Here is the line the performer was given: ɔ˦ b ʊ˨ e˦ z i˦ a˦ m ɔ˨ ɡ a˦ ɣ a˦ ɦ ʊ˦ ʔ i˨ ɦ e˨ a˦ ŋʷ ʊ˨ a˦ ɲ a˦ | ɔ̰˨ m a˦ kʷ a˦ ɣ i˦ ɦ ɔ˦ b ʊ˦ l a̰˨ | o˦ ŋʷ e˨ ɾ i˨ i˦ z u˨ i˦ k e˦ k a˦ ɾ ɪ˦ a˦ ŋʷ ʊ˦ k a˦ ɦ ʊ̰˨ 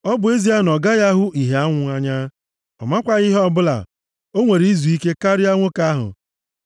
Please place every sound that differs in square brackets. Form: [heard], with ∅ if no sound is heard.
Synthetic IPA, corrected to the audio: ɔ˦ b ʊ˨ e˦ z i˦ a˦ [n] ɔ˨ ɡ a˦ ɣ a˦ ɦ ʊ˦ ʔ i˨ ɦ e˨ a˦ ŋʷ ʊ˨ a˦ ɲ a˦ | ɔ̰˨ m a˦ kʷ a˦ ɣ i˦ ɦ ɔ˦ b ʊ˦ l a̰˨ | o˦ ŋʷ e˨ ɾ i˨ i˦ z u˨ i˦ k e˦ k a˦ ɾ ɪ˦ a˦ ŋʷ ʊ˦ k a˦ ɦ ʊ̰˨